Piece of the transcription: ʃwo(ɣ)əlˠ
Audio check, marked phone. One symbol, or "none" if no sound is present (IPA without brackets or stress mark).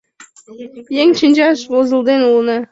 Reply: z